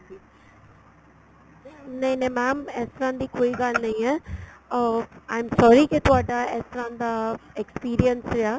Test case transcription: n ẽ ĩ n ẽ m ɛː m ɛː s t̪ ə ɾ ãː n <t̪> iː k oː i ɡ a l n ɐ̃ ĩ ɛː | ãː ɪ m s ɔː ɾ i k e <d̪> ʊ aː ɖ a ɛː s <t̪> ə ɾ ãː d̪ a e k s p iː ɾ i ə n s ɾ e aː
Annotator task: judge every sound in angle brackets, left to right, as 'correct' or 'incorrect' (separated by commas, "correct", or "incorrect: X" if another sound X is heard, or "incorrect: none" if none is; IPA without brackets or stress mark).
incorrect: d̪, incorrect: t̪, correct